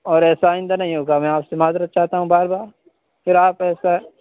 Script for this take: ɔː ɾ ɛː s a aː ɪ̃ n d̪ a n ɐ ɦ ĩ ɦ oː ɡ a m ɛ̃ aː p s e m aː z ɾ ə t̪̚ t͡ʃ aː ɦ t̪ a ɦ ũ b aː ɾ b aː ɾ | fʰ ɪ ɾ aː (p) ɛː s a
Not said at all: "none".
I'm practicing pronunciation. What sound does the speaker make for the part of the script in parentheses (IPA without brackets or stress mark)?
p